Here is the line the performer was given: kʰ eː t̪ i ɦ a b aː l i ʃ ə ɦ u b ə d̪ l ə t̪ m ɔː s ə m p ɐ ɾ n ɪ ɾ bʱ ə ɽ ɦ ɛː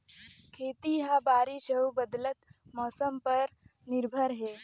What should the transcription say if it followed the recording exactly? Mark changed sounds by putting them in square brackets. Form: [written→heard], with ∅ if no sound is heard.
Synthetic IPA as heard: kʰ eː t̪ i ɦ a b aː [l→ɾ] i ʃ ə ɦ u b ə d̪ l ə t̪ m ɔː s ə m p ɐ ɾ n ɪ ɾ bʱ ə [ɽ→ɾ] ɦ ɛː